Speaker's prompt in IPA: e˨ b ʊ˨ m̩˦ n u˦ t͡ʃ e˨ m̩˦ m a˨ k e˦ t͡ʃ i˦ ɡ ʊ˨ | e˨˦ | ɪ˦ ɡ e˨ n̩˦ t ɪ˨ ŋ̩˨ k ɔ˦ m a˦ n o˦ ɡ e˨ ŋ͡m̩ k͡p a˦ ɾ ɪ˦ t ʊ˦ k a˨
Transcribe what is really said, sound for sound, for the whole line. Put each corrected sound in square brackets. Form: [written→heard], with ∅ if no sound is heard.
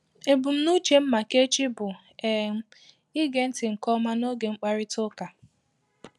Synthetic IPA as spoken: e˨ b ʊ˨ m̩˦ n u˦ t͡ʃ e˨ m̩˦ m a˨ k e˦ t͡ʃ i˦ [ɡ→b] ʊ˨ | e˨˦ | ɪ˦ ɡ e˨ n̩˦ t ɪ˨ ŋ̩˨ k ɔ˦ m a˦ n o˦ ɡ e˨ ŋ͡m̩ k͡p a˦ ɾ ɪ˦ t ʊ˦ k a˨